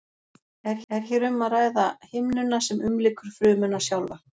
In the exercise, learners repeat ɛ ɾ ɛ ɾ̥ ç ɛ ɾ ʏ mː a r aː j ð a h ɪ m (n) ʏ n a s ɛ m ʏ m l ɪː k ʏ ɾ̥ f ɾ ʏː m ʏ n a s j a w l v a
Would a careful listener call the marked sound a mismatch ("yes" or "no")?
no